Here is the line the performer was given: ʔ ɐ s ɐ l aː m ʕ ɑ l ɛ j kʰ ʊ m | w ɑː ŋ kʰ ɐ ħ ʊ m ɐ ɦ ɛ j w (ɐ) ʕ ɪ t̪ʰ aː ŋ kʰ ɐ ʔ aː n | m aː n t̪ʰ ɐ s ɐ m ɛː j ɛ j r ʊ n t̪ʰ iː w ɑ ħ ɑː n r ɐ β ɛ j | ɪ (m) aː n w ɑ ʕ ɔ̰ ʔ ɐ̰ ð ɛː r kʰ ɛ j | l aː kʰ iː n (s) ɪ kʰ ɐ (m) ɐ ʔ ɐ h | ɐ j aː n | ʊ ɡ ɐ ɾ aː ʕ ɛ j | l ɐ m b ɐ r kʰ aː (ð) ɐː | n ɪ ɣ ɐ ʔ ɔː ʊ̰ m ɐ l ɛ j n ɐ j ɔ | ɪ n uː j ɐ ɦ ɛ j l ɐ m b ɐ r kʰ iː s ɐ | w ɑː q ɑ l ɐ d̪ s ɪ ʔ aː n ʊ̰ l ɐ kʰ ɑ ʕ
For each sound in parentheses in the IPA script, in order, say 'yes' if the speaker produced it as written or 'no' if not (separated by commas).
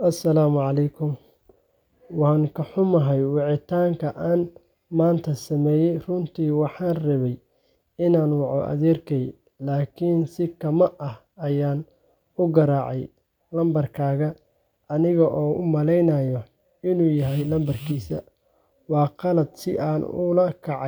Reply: no, no, yes, yes, no